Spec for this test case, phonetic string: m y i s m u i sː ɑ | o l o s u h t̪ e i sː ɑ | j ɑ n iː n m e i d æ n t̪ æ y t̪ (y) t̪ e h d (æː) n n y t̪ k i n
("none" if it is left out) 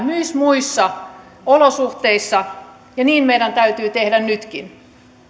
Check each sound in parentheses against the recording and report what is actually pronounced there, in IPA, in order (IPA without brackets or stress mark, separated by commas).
yː, æ